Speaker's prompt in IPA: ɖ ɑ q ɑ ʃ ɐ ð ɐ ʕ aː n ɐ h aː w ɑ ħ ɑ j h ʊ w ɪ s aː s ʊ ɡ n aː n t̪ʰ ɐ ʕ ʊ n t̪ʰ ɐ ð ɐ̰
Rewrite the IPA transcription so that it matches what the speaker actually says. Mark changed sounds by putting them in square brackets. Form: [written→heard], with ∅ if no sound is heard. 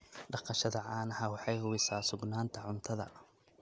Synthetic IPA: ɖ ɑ q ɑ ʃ ɐ ð ɐ ʕ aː n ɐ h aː w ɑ ħ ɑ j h ʊ w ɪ s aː s ʊ ɡ n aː n t̪ʰ ɐ ʕ ʊ n t̪ʰ ɐ ð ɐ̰